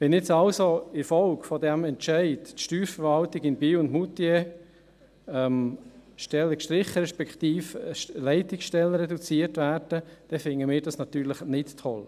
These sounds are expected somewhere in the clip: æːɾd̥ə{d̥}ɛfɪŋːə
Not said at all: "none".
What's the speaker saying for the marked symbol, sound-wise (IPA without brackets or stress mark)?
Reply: d̥